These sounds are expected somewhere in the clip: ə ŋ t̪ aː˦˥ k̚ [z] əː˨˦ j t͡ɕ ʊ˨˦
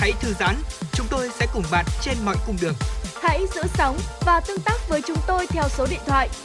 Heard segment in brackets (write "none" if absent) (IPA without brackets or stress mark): v